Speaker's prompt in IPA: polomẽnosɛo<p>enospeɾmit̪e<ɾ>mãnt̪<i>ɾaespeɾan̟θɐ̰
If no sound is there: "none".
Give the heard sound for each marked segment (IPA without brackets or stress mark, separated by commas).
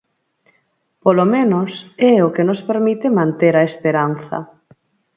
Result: k, none, e